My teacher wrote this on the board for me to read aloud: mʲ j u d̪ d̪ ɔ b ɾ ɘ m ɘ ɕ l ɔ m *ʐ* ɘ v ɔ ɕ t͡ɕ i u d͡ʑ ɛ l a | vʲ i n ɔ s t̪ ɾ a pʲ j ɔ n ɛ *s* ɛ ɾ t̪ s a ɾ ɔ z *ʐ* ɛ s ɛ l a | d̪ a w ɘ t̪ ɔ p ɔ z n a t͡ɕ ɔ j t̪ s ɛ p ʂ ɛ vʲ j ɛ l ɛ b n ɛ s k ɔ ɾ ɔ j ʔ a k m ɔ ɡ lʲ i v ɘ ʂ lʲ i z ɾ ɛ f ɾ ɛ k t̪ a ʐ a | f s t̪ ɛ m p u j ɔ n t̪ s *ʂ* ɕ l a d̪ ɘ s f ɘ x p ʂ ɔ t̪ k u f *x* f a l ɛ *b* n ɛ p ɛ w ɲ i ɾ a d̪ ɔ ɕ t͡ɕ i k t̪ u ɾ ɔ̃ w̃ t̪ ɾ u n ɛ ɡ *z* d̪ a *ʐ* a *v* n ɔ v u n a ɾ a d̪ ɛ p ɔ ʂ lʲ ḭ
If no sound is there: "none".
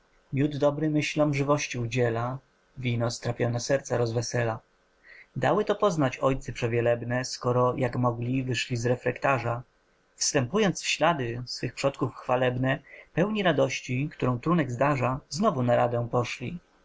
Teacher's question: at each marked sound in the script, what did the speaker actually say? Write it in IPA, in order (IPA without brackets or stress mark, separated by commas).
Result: ʐ, s, v, f, x, b, z, ʐ, z